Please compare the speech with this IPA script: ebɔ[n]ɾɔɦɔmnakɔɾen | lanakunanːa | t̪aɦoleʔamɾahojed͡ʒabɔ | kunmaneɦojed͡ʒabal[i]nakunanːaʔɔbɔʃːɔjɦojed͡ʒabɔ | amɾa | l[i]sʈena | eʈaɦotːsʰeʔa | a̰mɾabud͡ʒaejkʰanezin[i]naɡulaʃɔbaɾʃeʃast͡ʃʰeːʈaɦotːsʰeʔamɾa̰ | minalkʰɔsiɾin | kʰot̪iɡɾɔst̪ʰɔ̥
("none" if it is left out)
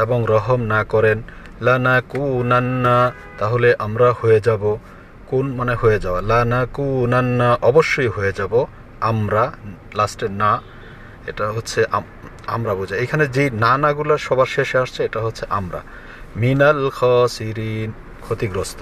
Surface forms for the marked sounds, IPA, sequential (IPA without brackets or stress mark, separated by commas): ŋ, a, a, a